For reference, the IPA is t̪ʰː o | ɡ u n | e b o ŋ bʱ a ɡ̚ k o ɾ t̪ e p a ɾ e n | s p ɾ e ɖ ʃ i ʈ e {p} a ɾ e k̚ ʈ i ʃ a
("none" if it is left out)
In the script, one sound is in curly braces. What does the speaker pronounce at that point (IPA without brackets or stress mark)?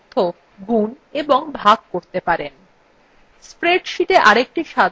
ʔ